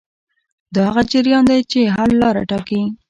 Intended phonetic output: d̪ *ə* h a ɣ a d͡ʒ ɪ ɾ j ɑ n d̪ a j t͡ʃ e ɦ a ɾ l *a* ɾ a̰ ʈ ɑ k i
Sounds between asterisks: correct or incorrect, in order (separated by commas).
incorrect, incorrect